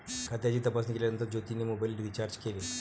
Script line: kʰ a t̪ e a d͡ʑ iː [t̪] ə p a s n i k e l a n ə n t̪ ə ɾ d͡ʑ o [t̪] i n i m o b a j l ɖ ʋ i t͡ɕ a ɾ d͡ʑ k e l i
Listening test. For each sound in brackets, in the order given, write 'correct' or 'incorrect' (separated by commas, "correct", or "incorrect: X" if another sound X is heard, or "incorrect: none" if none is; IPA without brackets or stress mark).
correct, correct